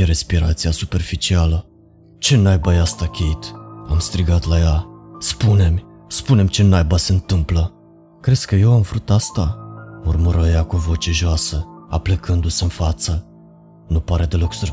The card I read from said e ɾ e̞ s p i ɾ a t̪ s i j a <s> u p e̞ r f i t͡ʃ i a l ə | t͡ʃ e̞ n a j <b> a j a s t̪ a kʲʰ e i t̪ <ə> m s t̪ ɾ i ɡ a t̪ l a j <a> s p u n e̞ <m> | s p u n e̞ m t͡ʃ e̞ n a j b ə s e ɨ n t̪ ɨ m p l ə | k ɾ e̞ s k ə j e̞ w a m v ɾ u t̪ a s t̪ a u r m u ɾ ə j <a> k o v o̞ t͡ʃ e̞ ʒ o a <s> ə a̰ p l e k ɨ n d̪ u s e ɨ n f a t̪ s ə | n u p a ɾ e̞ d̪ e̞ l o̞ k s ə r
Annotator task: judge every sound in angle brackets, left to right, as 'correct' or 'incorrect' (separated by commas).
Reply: correct, correct, incorrect, correct, correct, correct, correct